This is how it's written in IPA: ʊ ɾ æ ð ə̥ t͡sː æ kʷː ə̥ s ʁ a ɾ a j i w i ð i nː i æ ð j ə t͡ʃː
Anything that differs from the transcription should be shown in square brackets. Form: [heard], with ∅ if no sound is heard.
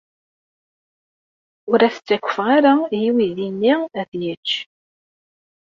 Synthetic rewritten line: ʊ ɾ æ [θ] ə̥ t͡sː æ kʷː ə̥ [f] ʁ a ɾ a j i w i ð i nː i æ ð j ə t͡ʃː

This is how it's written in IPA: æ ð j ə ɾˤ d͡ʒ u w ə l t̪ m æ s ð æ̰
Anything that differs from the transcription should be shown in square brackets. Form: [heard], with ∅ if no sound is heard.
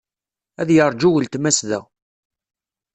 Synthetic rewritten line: æ ð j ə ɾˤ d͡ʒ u w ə l t̪ m æ s ð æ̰

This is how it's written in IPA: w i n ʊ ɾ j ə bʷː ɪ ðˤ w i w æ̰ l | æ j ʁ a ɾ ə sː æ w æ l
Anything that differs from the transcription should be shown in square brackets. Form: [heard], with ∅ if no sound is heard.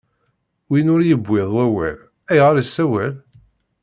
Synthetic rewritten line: w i n ʊ ɾ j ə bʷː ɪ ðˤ w [æ] w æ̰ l | æ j ʁ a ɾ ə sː æ w æ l

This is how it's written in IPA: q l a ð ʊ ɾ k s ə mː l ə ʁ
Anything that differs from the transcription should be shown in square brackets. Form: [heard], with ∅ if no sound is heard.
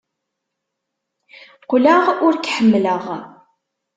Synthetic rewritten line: q l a [ʁ] ʊ ɾ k [ħ] ə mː l ə ʁ

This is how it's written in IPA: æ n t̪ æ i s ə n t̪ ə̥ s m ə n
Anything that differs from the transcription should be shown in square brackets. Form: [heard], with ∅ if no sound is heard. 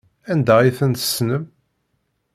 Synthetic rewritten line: æ n [d̪] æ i [θ] ə n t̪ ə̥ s [n] ə [m]

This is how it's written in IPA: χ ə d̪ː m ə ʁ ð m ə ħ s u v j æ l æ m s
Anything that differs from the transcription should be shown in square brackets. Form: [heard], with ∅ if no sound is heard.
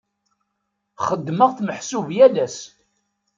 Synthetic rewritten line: χ ə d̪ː m ə ʁ [θ] m ə ħ s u v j æ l æ [∅] s

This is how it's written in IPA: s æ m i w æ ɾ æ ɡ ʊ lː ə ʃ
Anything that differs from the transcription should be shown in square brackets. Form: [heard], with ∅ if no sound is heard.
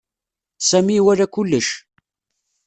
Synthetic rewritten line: s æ m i w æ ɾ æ [k] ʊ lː ə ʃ

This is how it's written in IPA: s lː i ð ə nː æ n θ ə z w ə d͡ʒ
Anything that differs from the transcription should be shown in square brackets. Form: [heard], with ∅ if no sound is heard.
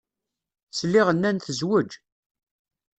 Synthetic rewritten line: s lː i [ʁ] ə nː æ n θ ə z w ə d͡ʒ

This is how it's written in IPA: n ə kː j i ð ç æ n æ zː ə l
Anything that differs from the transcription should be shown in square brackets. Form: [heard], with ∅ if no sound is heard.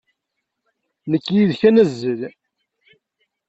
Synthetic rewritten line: n ə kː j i ð ç æ n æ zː ə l

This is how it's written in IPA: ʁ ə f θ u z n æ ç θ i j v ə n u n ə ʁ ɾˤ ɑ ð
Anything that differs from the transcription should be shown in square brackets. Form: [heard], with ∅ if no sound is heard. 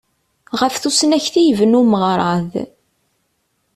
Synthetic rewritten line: ʁ ə f θ u [s] n æ ç θ i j v ə n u [m] ə ʁ ɾˤ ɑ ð

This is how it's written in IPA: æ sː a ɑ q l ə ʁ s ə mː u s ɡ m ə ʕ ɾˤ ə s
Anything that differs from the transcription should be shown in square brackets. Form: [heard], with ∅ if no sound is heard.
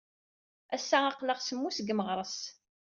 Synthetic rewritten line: æ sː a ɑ q l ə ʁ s ə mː u s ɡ m ə [ʁ] ɾˤ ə s

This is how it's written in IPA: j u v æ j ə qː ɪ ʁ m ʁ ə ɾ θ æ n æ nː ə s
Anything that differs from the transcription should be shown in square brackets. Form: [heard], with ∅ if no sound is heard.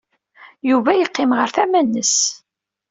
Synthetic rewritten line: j u v æ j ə qː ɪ [∅] m ʁ ə ɾ θ æ [m] æ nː ə s

